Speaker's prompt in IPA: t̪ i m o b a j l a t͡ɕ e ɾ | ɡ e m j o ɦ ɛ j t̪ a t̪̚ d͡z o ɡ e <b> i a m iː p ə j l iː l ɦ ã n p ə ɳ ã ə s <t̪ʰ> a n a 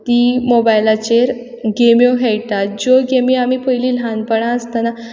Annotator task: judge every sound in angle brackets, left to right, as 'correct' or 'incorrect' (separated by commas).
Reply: incorrect, incorrect